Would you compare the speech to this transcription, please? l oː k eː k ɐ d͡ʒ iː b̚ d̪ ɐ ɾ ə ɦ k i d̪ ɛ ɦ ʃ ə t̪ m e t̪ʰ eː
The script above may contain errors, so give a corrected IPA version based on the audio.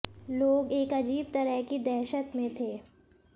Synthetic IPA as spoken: l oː ɡ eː k ɐ d͡ʒ iː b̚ t̪ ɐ ɾ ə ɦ k i d̪ ɛ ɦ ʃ ə t̪ m ẽ t̪ʰ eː